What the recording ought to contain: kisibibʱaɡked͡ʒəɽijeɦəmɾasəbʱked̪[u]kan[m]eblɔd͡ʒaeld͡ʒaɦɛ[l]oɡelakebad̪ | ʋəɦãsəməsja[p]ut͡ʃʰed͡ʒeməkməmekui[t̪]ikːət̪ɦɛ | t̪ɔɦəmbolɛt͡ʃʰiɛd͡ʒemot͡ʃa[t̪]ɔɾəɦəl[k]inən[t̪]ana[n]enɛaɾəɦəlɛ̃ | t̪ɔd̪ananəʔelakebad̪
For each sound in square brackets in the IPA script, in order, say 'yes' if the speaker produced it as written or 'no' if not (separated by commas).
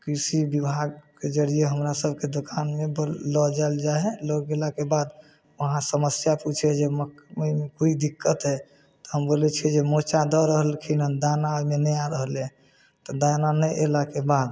no, yes, yes, yes, no, no, no, no, no